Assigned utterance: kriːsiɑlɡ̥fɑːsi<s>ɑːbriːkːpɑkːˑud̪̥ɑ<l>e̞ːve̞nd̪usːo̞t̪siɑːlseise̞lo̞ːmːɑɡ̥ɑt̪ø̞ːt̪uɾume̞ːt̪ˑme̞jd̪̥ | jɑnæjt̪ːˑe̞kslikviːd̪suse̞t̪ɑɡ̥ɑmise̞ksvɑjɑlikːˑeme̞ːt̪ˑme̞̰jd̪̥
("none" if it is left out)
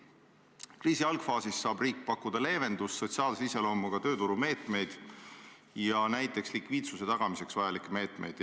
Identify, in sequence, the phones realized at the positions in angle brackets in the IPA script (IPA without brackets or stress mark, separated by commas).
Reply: sː, l